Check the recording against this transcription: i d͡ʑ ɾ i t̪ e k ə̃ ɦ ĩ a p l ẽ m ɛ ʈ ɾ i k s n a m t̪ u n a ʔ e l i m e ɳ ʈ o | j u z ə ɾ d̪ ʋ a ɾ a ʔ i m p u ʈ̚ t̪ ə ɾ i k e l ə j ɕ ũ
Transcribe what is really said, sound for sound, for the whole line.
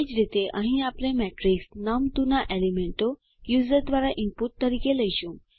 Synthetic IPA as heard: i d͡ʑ ɾ i t̪ e ʔ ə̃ ɦ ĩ a p l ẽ m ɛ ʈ ɾ i k s n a m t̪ u n a ʔ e l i m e ɳ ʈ o | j u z ə ɾ d̪ ʋ a ɾ a ʔ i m p u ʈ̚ t̪ ə ɾ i k e l ə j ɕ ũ